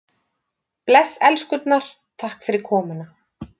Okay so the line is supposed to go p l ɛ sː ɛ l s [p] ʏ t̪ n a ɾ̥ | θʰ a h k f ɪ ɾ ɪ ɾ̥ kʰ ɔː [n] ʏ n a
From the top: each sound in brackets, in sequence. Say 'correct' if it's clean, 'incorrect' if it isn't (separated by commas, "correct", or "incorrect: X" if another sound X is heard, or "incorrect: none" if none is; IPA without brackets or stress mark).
incorrect: k, incorrect: m